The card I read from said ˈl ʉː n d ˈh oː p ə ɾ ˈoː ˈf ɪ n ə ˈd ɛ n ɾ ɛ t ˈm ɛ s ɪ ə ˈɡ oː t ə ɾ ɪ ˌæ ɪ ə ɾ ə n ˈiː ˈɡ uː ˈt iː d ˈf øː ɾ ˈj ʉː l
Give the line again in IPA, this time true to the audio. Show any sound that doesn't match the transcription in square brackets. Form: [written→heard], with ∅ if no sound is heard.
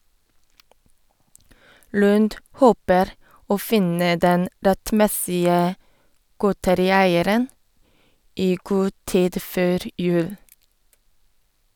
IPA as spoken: ˈl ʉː n d ˈh oː p ə ɾ ˈoː ˈf ɪ n ə ˈd ɛ n ɾ ɛ t ˈm ɛ s ɪ ə ˈɡ oː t ə ɾ ɪ ˌæ ɪ ə ɾ ə n ˈiː ˈɡ uː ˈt iː d ˈf øː ɾ ˈj ʉː l